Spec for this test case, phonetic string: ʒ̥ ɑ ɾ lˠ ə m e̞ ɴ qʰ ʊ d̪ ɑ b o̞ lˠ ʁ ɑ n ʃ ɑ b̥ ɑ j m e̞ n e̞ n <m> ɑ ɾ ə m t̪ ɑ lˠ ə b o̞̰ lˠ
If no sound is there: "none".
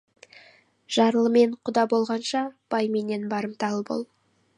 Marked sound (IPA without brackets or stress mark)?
b